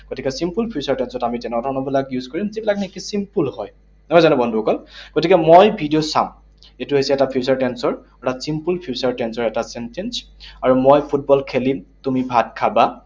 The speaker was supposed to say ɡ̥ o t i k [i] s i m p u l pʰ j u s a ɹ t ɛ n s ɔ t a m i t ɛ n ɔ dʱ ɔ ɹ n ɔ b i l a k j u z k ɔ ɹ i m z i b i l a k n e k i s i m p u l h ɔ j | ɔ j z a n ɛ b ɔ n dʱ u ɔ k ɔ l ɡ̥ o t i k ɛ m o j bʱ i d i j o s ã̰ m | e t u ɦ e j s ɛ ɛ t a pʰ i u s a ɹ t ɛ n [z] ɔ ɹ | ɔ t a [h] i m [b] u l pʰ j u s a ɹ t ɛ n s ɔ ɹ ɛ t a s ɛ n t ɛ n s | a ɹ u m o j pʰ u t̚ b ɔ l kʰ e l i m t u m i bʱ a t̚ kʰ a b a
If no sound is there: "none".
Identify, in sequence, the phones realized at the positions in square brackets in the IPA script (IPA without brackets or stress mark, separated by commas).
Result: ɛ, s, s, p